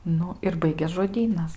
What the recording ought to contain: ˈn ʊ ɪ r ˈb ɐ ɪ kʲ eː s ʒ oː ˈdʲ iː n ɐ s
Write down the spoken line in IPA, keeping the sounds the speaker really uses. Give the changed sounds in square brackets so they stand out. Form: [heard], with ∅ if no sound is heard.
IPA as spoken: ˈn ʊ ɪ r ˈb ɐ ɪ [ɡʲ] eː s ʒ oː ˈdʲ iː n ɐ s